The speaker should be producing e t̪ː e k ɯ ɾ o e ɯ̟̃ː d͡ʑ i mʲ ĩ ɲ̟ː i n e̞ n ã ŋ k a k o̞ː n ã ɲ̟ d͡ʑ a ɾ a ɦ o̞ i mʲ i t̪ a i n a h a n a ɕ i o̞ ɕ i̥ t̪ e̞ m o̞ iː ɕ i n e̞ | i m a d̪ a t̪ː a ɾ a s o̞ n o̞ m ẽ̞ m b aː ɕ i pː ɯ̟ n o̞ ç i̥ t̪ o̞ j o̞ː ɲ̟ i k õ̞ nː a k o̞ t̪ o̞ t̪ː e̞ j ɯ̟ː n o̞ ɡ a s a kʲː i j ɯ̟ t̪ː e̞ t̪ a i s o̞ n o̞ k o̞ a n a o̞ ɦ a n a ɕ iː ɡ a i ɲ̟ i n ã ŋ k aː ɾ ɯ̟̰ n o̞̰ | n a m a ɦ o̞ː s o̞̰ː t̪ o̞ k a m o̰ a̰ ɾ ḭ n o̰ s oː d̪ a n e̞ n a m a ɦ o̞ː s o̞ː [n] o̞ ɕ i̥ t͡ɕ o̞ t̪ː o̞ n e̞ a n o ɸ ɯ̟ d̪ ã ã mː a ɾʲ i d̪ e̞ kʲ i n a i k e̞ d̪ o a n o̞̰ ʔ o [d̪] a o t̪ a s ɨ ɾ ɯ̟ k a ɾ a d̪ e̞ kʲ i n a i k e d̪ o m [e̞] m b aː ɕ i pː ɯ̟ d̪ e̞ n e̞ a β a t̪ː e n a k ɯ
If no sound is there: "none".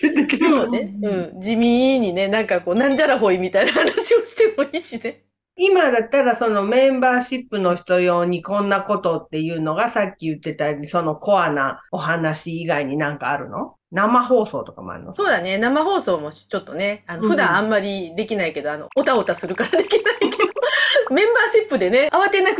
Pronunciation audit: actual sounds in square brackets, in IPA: m, t̪, ẽ̞

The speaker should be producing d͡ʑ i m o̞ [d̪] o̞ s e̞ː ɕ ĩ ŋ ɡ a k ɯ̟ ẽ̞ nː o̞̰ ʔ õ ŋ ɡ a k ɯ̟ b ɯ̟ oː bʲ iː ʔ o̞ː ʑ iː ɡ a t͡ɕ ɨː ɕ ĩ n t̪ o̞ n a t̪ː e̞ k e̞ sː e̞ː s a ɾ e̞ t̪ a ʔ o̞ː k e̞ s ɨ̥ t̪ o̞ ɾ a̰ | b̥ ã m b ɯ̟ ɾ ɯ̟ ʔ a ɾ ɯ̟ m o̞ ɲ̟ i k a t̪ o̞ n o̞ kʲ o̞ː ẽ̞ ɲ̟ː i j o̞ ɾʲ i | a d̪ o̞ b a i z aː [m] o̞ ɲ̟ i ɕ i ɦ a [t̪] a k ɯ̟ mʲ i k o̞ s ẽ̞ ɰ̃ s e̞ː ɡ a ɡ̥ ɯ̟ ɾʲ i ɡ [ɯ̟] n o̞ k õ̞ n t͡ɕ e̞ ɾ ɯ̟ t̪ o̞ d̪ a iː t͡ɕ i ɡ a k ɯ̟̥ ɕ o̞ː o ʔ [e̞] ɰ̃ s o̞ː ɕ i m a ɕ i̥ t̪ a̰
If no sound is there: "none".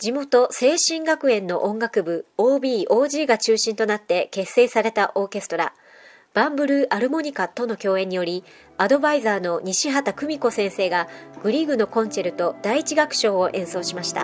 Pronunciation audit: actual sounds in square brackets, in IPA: t̪, n, t̪, ɯ̟, ẽ̞

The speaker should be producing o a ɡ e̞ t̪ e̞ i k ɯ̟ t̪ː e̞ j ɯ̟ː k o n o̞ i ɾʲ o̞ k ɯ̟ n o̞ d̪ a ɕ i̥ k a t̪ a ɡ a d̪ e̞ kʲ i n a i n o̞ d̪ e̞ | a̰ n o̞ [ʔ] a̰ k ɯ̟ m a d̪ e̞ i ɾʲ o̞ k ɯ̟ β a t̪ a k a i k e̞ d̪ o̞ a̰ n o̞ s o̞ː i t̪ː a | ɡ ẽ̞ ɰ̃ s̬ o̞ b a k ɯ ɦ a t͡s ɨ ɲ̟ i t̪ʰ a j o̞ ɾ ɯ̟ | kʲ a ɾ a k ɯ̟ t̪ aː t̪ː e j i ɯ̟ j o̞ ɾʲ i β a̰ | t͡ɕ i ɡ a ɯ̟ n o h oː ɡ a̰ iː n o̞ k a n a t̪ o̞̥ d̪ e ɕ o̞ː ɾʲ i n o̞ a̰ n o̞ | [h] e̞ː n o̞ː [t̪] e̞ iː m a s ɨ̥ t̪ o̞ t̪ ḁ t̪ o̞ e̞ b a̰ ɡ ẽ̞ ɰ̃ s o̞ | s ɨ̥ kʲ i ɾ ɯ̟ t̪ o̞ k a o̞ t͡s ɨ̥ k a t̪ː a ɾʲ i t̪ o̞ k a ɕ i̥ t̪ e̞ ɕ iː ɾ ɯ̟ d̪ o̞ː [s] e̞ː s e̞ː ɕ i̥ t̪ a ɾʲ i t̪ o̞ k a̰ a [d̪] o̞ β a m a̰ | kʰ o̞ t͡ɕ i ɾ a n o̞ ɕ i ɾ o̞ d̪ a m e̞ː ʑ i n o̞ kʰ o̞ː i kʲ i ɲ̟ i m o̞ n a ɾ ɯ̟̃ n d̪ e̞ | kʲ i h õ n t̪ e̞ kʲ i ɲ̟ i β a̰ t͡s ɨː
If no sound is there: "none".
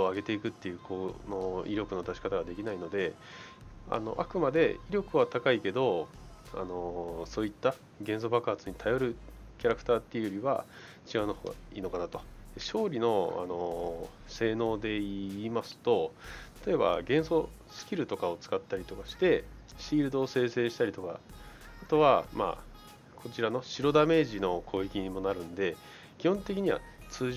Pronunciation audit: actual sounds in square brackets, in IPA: ʔ, s, d̪, s, t̪

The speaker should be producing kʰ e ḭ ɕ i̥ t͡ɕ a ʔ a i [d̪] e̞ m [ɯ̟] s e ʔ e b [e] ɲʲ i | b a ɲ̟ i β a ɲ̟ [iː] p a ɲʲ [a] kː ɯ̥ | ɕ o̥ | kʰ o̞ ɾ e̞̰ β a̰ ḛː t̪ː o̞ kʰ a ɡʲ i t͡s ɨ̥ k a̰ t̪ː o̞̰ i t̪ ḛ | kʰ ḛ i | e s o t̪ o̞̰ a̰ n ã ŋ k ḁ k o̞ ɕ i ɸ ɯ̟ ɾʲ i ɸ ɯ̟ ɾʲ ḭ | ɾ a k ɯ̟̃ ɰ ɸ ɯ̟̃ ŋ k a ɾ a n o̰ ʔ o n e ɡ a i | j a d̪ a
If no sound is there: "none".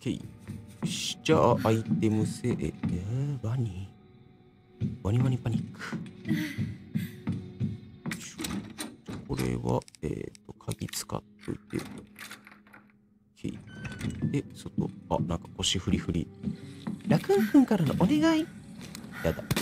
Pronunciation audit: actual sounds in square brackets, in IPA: t̪, ɯ̟, a, i, i

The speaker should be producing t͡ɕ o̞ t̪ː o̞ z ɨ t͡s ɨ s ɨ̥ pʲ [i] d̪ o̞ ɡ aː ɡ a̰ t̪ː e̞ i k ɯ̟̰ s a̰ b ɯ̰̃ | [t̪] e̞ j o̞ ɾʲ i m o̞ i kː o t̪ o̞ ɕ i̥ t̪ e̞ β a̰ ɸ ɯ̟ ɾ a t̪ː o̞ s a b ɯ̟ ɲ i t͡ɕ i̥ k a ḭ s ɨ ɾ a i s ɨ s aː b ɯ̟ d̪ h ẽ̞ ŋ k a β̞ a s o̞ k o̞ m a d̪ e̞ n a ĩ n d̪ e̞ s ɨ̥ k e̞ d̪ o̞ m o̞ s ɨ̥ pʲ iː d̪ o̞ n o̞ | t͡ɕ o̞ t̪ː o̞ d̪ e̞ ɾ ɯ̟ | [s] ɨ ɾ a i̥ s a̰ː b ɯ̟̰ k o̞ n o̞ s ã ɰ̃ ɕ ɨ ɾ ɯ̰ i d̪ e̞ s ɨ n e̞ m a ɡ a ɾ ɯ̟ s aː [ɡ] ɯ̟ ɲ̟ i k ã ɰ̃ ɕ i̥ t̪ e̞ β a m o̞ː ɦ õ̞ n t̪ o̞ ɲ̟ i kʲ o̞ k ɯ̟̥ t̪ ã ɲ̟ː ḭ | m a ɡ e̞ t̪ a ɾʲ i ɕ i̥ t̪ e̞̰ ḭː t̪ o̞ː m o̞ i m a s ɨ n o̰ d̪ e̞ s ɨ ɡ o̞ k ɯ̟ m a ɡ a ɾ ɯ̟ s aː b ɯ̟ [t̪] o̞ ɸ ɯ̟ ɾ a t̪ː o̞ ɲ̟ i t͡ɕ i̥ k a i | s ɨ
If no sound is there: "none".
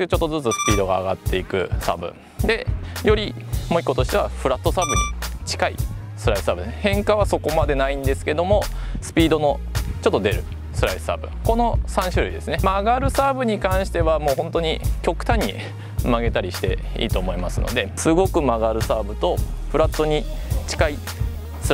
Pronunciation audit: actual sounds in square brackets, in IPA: iː, d̪, s, b, t̪

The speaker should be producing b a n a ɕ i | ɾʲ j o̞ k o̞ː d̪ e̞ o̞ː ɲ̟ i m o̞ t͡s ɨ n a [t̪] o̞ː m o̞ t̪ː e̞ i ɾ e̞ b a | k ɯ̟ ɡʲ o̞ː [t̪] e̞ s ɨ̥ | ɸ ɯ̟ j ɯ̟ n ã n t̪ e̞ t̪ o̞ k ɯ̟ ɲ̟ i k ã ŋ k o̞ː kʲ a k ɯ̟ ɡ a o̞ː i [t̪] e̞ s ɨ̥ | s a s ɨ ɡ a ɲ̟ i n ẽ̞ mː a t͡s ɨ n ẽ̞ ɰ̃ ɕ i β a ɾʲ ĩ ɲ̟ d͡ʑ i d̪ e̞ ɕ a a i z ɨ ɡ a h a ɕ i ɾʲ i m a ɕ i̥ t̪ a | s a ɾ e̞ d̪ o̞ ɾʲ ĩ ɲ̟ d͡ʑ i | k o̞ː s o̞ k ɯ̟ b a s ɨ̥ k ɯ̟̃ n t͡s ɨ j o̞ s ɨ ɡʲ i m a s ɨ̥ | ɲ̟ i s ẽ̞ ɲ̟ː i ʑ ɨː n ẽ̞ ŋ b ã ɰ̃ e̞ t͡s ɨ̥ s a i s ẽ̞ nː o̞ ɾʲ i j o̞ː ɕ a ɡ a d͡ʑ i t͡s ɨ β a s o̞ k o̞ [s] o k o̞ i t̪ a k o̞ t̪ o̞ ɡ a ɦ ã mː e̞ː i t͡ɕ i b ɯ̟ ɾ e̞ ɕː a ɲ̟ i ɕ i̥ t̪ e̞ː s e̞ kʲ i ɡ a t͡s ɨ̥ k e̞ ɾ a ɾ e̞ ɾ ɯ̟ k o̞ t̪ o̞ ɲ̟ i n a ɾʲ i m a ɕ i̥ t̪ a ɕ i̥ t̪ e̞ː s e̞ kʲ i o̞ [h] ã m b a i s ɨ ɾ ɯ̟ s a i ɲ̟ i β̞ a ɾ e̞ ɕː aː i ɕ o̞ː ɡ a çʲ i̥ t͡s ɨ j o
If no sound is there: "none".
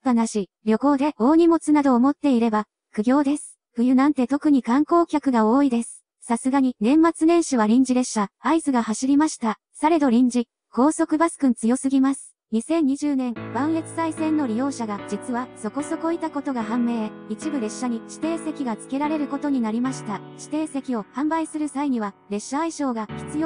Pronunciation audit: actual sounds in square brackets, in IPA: d̪, d̪, d̪, s, h

